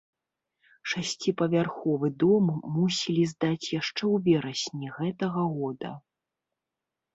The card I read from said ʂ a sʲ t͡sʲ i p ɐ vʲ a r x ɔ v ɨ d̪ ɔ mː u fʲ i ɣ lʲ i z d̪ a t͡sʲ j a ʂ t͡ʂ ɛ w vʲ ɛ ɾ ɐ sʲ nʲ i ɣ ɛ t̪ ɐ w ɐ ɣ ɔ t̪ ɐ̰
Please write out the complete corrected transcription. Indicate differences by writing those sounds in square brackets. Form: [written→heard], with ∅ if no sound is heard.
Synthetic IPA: ʂ a sʲ t͡sʲ i p ɐ vʲ a r x ɔ v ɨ d̪ ɔ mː u [fʲ→sʲ] i [ɣ→∅] lʲ i z d̪ a t͡sʲ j a ʂ t͡ʂ ɛ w vʲ ɛ ɾ ɐ sʲ nʲ i ɣ ɛ t̪ ɐ [w→ɣ] ɐ ɣ ɔ [t̪→d̪] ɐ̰